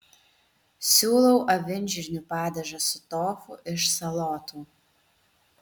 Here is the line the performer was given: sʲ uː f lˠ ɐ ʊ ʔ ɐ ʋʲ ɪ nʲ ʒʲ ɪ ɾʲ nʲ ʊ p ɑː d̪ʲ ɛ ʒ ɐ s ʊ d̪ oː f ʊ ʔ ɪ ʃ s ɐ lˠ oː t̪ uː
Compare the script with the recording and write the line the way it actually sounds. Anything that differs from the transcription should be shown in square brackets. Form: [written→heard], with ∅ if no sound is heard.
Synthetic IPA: sʲ uː [f→∅] lˠ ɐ ʊ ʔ ɐ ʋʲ ɪ nʲ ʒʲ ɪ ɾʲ nʲ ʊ p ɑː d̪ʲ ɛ ʒ ɐ s ʊ [d̪→t̪] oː f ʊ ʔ ɪ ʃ s ɐ lˠ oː t̪ uː